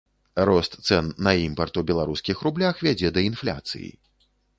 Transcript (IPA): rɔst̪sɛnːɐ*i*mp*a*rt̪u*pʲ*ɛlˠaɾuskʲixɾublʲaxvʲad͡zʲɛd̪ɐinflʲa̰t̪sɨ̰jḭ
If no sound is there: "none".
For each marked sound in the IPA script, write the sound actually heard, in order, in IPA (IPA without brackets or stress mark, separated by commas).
i, ɐ, bʲ